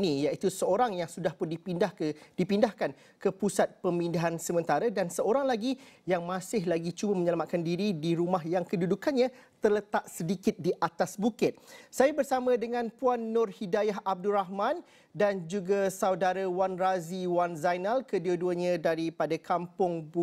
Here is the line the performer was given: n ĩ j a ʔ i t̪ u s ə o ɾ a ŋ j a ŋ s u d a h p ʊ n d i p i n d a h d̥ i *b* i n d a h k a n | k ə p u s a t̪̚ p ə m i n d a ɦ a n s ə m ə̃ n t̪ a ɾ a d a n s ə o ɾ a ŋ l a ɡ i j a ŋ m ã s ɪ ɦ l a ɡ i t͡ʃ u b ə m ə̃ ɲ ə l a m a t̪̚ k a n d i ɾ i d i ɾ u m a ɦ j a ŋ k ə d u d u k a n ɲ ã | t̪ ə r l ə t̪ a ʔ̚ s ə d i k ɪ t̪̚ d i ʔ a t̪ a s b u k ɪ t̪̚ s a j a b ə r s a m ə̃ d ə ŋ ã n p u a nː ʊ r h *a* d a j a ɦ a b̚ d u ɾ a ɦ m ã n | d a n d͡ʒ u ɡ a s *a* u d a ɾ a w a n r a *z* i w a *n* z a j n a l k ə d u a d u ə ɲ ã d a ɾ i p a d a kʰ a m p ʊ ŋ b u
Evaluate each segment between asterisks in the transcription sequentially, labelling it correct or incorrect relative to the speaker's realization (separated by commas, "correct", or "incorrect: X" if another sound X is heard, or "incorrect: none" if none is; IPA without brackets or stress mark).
incorrect: p, incorrect: i, correct, correct, correct